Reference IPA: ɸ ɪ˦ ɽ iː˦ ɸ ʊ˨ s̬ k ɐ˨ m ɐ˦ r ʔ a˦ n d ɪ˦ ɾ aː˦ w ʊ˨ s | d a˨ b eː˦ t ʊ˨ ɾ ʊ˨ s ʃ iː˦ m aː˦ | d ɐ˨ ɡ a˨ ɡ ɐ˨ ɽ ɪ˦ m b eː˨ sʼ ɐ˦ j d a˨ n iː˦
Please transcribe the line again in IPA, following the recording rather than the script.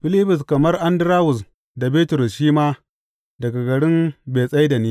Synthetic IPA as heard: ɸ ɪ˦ l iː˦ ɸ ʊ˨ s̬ k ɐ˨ m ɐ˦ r ʔ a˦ n d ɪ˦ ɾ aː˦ w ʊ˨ s | d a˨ b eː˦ t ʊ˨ ɾ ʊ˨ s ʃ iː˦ m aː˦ | d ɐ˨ ɡ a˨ ɡ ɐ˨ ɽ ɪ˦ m b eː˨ sʼ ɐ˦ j d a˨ n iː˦